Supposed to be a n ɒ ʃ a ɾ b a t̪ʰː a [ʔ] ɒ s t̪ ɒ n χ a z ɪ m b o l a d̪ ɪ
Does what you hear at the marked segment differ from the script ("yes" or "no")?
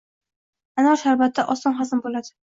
no